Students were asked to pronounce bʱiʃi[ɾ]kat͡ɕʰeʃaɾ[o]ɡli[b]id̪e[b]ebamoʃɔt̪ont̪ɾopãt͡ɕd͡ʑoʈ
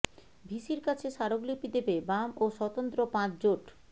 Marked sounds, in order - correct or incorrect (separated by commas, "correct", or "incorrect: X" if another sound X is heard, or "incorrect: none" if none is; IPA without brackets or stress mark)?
correct, correct, incorrect: p, correct